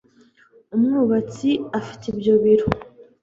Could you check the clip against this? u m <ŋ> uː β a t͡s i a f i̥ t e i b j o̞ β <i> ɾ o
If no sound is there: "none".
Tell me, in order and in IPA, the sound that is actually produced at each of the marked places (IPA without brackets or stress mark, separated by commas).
ŋ, i